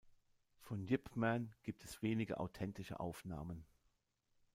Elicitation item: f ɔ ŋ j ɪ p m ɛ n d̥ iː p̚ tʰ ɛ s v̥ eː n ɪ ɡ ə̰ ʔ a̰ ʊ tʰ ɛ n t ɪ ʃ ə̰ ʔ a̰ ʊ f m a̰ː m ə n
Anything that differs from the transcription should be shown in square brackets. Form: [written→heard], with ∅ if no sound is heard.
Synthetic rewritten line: f ɔ [ŋ→n] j ɪ p m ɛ n [d̥→ɡ̥] iː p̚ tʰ ɛ s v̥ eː n ɪ ɡ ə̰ ʔ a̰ ʊ tʰ ɛ n t ɪ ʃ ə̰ ʔ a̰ ʊ f [m→n] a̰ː m ə n